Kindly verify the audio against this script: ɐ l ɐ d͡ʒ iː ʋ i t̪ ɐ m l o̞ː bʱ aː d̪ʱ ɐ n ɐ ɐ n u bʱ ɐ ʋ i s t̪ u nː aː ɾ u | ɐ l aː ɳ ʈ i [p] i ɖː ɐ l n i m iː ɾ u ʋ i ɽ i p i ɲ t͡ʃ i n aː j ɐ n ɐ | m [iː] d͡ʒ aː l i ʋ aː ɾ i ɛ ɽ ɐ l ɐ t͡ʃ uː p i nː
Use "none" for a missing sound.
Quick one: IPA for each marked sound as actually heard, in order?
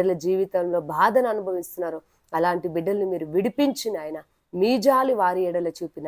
b, iː

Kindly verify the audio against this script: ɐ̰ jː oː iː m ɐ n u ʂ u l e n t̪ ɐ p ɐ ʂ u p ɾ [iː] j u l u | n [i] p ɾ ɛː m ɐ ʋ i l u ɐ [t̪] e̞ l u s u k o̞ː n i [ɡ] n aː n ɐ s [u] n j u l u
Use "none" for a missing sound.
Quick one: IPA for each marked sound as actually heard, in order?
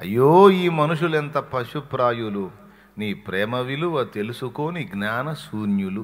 aː, iː, t̪, ɡ, uː

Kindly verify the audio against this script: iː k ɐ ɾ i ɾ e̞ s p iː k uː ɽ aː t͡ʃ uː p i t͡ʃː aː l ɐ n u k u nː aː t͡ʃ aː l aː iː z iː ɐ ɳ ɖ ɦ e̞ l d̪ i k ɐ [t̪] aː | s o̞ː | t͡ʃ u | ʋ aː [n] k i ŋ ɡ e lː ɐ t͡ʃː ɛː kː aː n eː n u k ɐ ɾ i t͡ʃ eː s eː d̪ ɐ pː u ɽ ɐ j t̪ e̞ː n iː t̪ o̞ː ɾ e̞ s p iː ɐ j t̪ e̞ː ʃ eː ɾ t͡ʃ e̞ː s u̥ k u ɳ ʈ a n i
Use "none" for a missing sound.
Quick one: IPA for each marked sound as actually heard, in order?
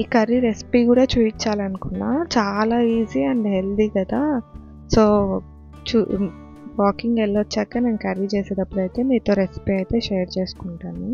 d̪, none

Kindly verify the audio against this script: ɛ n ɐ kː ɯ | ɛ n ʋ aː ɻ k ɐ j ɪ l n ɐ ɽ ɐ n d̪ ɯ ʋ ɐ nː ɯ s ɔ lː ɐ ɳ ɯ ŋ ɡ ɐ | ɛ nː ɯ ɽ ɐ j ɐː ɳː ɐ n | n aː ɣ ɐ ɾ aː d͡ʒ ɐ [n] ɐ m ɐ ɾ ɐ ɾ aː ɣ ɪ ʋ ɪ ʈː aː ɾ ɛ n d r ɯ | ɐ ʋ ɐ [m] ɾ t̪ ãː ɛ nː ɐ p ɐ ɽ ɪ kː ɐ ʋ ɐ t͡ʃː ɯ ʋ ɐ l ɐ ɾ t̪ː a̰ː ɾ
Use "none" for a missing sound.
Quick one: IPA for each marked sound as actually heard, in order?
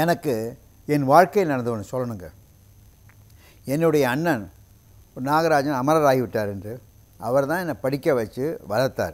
n, none

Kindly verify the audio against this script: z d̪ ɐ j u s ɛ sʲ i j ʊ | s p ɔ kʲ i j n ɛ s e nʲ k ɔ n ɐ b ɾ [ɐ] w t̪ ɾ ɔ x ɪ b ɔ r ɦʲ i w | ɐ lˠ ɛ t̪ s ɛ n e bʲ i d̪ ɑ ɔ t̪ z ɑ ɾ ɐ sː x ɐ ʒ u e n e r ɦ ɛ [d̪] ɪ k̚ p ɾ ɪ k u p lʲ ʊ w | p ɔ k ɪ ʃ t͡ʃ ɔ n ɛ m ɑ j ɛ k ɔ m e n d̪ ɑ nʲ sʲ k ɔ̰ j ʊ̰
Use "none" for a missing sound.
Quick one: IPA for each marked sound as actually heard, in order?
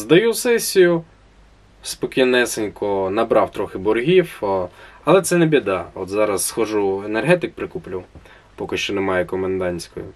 ɑ, t̪

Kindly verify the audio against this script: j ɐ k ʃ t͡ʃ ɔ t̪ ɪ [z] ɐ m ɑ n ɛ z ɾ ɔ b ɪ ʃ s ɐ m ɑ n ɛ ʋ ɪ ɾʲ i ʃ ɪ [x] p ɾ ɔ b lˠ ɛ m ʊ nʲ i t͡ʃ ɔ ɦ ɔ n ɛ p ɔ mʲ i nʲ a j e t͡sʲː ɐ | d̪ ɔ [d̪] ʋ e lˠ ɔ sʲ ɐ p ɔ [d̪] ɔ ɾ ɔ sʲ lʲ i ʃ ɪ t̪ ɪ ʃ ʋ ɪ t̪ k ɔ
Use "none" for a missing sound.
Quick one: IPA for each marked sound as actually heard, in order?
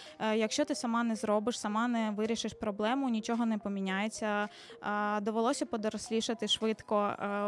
s, ʃ, none, d̪

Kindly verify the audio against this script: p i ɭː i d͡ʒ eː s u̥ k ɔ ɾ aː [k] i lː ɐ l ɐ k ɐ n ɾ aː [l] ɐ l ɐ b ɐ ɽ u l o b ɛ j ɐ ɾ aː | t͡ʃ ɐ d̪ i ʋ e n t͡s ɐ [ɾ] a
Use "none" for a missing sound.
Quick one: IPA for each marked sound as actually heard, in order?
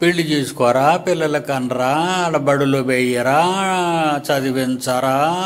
p, none, ɾ

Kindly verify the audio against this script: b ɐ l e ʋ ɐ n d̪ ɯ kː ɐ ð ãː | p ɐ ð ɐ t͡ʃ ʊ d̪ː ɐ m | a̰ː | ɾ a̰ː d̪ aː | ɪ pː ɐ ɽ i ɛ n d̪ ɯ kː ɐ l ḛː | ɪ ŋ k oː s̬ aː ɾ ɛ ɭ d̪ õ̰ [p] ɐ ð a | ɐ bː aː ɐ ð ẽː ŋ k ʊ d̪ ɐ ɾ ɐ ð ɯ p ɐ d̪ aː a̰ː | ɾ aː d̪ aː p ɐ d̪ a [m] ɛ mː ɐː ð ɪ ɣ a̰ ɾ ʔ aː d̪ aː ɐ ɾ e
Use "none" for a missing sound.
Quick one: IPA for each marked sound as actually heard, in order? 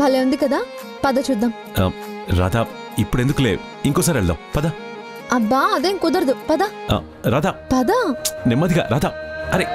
p, n

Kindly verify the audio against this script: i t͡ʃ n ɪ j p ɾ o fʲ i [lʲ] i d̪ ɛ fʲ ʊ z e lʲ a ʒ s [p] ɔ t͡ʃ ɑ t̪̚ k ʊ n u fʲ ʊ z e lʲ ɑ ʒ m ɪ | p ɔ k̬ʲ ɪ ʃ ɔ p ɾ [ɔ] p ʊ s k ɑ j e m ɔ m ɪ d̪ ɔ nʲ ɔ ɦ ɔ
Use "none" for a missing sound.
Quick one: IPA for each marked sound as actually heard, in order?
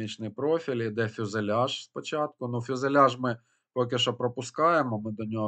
lʲ, p, ɔ

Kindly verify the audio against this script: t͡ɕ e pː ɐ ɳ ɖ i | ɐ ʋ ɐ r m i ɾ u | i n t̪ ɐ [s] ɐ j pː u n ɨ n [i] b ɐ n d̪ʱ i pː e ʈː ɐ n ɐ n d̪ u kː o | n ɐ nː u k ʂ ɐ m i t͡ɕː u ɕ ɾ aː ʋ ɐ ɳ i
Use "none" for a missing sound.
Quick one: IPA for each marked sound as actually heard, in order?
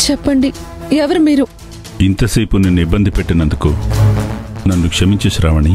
s, i

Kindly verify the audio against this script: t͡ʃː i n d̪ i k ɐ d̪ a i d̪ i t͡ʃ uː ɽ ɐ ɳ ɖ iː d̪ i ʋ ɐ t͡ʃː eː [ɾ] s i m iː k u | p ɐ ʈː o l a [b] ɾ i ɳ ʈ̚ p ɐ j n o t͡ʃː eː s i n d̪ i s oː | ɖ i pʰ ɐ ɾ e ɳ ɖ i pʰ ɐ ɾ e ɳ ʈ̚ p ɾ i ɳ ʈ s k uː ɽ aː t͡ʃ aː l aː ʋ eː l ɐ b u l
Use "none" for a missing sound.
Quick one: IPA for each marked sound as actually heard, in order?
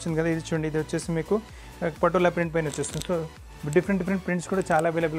none, p

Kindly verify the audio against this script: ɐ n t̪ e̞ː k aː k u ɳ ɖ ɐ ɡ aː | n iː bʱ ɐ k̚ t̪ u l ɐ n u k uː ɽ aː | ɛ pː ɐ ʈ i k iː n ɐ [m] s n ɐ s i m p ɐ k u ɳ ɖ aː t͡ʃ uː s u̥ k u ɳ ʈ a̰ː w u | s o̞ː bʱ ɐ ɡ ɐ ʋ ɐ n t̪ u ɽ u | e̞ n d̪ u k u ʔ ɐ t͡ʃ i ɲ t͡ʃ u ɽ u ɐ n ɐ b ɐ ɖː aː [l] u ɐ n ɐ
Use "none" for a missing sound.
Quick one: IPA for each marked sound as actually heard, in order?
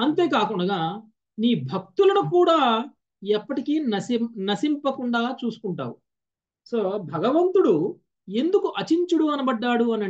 none, ɽ

